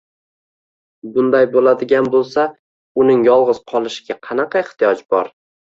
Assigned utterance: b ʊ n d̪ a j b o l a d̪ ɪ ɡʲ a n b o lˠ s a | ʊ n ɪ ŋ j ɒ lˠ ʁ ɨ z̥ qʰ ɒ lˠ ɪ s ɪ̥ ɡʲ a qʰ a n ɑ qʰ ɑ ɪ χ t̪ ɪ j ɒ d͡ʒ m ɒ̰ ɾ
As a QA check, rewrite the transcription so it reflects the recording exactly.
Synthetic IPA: b ʊ n d̪ a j b o l a d̪ ɪ ɡʲ a n b o lˠ s a | ʊ n ɪ ŋ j ɒ lˠ ʁ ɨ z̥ qʰ ɒ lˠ ɪ ʃ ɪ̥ ɡʲ a qʰ ɑ n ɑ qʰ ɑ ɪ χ t̪ ɪ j ɒ d͡ʒ b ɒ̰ ɾ